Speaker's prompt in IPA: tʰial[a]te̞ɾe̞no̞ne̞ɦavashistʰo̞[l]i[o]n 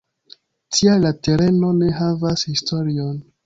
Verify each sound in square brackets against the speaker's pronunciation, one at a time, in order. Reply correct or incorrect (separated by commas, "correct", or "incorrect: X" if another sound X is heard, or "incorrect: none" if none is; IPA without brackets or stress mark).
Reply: correct, incorrect: ɾ, correct